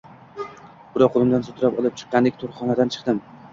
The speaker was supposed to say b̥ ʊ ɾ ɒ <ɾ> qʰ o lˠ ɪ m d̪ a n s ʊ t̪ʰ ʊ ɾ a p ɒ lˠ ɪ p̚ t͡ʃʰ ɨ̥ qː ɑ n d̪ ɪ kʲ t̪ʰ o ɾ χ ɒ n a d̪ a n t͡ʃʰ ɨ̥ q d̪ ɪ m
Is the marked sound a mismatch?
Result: yes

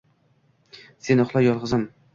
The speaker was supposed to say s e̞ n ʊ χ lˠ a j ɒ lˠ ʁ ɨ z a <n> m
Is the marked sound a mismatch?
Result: yes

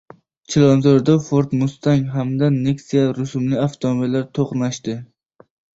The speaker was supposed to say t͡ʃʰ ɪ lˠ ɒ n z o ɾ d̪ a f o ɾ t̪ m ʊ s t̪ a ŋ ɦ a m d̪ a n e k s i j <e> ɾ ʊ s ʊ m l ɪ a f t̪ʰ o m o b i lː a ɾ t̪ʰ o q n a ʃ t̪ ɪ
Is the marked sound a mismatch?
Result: yes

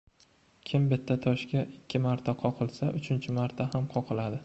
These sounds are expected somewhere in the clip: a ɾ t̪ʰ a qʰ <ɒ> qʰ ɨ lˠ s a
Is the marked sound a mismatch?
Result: no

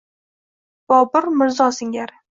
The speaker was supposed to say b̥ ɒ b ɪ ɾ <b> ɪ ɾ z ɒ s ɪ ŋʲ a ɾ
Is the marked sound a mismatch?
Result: yes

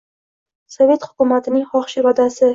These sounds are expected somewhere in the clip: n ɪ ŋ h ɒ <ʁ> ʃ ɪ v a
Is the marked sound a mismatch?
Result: yes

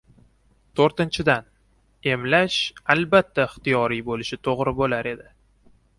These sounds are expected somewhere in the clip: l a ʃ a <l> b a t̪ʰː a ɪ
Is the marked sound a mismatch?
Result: no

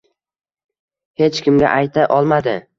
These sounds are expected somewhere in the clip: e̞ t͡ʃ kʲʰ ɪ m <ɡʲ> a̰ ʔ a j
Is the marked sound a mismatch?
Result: no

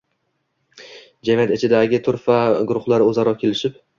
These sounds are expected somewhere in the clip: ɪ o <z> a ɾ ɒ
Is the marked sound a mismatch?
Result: no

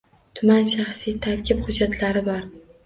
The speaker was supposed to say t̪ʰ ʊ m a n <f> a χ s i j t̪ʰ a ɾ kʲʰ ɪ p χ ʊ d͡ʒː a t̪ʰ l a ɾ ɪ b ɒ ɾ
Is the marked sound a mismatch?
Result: yes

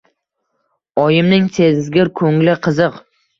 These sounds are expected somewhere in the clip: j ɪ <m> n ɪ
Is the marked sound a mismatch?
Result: no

